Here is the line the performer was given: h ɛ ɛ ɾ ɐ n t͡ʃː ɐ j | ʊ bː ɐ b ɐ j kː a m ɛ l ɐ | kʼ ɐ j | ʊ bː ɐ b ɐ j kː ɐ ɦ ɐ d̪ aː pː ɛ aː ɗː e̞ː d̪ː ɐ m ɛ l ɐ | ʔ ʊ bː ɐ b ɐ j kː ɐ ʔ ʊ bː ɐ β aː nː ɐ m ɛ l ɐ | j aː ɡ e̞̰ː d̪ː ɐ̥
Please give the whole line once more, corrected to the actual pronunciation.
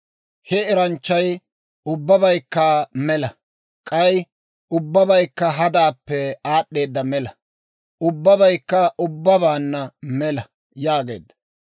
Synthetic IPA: h ɛ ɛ ɾ ɐ n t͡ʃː ɐ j | ʊ bː ɐ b ɐ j kː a m ɛ l ɐ | kʼ ɐ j | ʊ bː ɐ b ɐ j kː ɐ ɦ ɐ d̪ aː pː ɛ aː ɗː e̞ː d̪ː ɐ m ɛ l ɐ | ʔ ʊ bː ɐ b ɐ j kː ɐ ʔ ʊ bː ɐ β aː nː ɐ m ɛ l ɐ | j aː ɡ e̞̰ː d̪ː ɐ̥